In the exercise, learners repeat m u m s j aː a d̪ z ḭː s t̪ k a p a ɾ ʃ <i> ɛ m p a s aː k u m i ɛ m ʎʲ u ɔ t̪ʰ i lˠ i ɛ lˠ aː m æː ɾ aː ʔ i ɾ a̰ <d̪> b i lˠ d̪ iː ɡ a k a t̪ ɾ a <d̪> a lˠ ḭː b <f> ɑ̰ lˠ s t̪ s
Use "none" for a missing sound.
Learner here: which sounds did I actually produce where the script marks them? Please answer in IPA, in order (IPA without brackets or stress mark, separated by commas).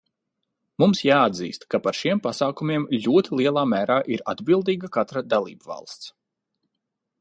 i, d̪, d̪, v